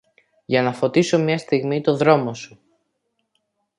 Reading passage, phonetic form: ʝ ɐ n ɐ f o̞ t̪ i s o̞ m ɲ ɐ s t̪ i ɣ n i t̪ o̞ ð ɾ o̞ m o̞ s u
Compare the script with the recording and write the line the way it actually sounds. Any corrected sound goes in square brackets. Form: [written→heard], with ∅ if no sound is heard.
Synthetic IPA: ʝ ɐ n ɐ f o̞ t̪ i s o̞ m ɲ ɐ s t̪ i ɣ [n→m] i t̪ o̞ ð ɾ o̞ m o̞ s u